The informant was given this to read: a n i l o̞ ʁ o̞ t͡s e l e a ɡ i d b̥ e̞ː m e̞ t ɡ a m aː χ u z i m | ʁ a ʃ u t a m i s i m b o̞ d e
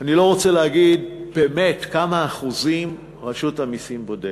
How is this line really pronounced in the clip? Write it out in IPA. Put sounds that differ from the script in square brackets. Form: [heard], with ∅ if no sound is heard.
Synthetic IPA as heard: a n i l o̞ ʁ o̞ t͡s e l e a ɡ i d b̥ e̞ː m e̞ t [k] a m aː χ u z i m | ʁ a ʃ u t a m i s i m b o̞ d e